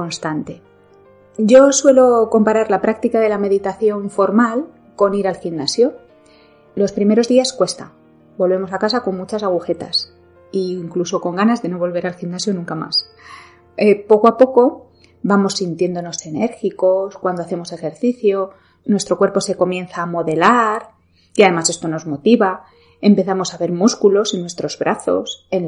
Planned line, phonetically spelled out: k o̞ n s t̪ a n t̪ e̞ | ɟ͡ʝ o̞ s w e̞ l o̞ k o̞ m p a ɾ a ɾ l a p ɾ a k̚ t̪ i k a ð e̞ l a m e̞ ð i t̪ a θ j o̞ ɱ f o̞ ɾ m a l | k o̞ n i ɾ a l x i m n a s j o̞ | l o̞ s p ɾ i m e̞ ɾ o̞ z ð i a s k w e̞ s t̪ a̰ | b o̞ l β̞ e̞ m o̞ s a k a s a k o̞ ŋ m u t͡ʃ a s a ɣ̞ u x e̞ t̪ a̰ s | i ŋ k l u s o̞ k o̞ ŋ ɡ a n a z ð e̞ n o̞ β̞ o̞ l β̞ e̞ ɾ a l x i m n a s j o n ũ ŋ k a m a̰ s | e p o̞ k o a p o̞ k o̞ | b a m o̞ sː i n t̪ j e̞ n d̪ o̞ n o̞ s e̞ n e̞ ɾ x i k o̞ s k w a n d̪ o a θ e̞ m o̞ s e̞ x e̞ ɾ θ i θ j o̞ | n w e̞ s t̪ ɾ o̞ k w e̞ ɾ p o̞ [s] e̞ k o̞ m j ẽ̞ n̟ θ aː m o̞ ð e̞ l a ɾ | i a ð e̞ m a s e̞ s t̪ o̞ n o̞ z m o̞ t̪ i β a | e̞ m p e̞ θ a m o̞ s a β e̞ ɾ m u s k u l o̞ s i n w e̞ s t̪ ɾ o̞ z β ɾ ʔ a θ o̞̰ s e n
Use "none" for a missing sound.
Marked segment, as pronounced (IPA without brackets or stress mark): s